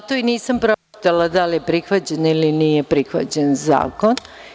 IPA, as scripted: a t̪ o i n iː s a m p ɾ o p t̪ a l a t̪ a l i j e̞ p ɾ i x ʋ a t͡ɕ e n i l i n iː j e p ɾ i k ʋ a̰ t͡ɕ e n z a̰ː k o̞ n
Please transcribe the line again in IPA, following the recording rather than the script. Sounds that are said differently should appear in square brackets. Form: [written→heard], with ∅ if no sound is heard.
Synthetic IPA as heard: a t̪ o i n iː s a m p ɾ o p t̪ a l a [t̪→d̪] a l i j e̞ p ɾ i x ʋ a t͡ɕ e n i l i n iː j e p ɾ i [k→x] ʋ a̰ t͡ɕ e n z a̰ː k o̞ n